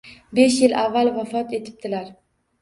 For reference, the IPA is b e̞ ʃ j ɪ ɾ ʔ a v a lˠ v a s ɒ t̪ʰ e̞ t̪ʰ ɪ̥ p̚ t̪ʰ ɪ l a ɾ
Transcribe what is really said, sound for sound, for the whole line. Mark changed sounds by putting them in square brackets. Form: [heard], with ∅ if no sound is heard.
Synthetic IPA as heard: b e̞ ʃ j ɪ [l] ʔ a [vː] a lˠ v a [f] ɒ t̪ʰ e̞ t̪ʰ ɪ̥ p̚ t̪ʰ ɪ l a ɾ